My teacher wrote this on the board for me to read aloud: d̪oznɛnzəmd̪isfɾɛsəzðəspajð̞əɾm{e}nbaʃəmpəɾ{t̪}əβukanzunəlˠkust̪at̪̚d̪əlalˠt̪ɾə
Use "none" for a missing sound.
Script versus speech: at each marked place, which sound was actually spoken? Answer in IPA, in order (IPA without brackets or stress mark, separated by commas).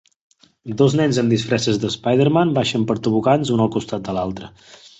a, t̪